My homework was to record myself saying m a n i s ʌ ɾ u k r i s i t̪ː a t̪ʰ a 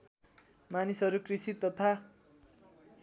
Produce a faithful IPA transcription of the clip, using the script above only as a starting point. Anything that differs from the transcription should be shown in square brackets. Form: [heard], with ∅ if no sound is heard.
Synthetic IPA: m a n i s ʌ ɾ u k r i s i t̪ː [ʌ] t̪ʰ a